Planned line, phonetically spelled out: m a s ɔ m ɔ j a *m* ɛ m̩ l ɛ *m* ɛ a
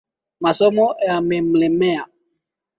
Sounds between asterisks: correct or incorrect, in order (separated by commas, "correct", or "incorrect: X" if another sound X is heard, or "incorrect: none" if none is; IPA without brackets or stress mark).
correct, correct